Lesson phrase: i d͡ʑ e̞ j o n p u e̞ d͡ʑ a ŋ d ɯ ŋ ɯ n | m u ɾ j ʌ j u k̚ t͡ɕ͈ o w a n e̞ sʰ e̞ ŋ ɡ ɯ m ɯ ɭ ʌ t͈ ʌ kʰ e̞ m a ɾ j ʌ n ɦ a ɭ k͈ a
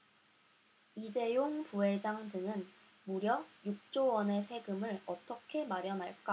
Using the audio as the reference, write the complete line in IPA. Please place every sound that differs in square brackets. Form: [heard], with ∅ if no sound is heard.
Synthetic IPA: i d͡ʑ e̞ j o [ŋ] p u e̞ d͡ʑ a ŋ d ɯ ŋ ɯ n | m u ɾ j ʌ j u k̚ t͡ɕ͈ o w [ʌ] n e̞ sʰ e̞ [∅] ɡ ɯ m ɯ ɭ ʌ t͈ ʌ kʰ e̞ m a ɾ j ʌ n ɦ a ɭ k͈ a